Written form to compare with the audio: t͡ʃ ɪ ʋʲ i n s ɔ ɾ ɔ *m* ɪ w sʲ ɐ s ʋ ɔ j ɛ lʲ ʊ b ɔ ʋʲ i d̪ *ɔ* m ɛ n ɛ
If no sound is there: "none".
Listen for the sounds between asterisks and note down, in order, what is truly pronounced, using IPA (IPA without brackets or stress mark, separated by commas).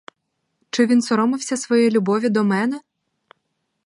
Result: m, ɔ